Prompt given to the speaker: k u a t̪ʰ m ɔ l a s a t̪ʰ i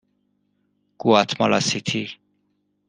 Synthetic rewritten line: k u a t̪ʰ m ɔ l a s i t̪ʰ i